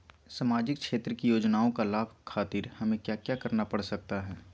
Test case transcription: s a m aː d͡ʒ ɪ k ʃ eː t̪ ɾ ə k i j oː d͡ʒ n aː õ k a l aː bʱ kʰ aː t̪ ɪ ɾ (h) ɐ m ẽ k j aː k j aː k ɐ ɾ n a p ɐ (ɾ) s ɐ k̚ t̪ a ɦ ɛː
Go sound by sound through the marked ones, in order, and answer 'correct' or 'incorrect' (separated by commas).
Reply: correct, incorrect